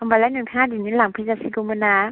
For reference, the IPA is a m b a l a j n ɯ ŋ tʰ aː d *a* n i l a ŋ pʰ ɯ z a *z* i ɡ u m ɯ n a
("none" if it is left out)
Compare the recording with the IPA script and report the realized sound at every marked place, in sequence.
i, s

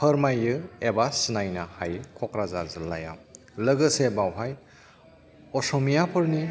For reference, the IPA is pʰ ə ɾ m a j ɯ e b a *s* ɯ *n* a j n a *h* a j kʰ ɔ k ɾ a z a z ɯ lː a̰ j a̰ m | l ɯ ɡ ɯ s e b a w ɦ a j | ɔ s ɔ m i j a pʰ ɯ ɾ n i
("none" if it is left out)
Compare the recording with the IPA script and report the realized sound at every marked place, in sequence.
s, n, h

